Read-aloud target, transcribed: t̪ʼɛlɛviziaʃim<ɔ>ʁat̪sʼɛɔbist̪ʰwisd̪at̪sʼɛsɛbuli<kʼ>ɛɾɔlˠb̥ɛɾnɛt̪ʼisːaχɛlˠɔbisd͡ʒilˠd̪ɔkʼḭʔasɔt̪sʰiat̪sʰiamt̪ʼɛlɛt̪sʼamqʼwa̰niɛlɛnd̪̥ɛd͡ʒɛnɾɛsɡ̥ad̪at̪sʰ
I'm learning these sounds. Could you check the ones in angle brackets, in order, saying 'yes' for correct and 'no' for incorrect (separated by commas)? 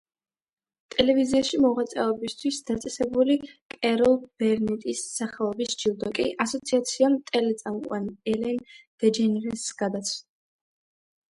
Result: yes, yes